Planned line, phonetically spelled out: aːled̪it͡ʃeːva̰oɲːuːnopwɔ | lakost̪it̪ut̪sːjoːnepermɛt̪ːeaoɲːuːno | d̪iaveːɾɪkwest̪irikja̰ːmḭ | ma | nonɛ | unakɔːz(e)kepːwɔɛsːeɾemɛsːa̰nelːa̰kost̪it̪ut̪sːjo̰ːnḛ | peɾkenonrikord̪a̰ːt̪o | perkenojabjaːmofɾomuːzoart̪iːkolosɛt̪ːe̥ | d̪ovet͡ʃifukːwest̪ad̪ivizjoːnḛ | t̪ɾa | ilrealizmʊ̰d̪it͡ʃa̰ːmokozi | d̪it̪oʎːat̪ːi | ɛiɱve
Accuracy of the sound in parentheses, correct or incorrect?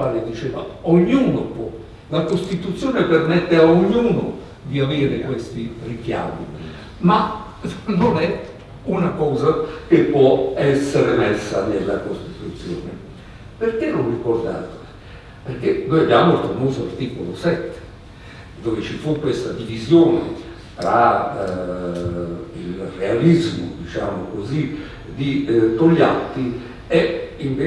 incorrect: a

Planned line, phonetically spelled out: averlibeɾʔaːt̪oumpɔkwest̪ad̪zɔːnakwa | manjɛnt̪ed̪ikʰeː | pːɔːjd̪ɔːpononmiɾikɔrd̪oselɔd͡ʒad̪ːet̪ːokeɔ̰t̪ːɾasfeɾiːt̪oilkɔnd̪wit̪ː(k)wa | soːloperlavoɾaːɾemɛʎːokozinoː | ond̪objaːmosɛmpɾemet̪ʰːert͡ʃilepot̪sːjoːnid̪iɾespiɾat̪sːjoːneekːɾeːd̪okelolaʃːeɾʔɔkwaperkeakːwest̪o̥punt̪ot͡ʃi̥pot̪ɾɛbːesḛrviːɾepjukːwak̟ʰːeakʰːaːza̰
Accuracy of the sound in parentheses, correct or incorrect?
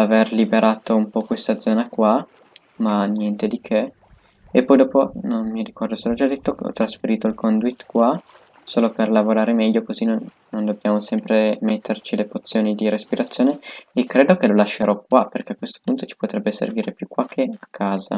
correct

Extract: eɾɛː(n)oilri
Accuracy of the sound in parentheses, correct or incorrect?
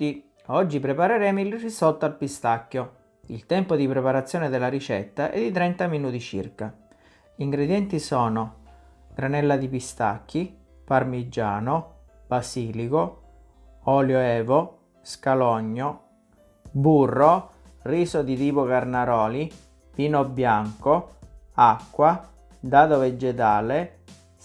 incorrect: m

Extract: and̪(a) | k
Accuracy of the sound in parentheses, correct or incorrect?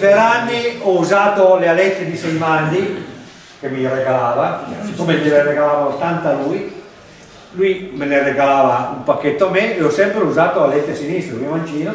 incorrect: i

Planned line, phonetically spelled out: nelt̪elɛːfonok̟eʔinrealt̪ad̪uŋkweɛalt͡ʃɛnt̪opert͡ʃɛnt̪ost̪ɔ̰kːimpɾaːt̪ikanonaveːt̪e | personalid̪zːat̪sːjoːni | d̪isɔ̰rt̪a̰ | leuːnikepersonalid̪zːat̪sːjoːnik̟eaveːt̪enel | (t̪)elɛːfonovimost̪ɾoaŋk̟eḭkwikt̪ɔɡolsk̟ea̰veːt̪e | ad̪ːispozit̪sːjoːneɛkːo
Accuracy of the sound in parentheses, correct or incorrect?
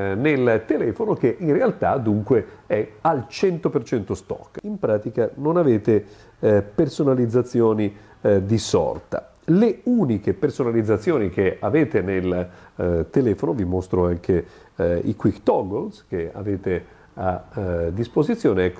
correct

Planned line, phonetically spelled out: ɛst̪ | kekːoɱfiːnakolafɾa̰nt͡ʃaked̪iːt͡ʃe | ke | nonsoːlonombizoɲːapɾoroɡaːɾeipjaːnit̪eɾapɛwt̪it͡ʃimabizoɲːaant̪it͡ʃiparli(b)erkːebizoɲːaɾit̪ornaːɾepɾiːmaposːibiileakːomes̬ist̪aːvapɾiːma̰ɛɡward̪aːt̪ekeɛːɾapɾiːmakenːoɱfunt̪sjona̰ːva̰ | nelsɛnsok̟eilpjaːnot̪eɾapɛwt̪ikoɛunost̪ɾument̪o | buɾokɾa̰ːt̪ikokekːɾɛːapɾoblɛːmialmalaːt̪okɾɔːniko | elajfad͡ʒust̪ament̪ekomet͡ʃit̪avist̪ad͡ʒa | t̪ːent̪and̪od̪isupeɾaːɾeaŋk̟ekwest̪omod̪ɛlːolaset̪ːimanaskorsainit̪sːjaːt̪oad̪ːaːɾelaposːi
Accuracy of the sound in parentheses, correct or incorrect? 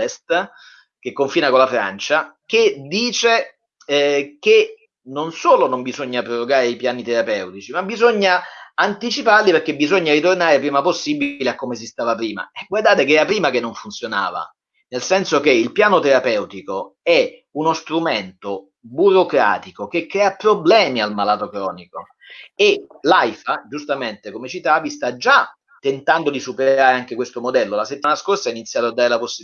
incorrect: p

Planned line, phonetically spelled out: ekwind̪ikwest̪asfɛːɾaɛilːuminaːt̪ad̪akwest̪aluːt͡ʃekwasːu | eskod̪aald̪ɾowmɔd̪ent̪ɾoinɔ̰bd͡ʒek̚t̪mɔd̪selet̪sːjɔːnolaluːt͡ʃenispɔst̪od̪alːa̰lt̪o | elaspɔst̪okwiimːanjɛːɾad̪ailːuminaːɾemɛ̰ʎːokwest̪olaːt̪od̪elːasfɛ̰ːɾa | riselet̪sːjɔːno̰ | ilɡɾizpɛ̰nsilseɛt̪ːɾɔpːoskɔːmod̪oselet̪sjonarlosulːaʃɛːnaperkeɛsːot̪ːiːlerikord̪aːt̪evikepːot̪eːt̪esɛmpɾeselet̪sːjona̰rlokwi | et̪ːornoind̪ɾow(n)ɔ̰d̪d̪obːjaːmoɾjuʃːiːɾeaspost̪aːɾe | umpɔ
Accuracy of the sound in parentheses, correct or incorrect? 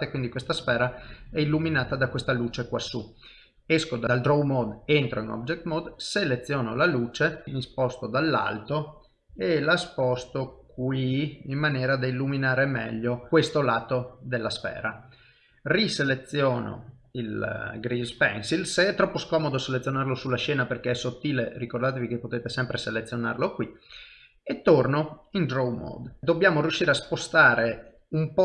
incorrect: m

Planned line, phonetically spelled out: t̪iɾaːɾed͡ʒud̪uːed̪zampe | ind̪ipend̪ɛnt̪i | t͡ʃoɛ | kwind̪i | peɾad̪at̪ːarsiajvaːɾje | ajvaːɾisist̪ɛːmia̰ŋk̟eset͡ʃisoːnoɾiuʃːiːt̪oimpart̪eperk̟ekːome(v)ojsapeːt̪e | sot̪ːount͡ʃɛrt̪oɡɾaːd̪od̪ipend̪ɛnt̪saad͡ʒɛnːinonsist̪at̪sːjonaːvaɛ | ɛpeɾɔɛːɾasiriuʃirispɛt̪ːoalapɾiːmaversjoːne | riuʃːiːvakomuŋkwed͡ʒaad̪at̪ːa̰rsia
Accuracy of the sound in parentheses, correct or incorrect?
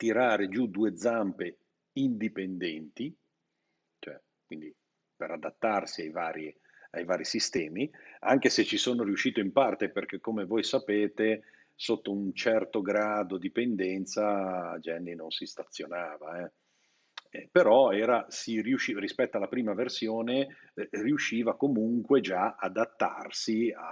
correct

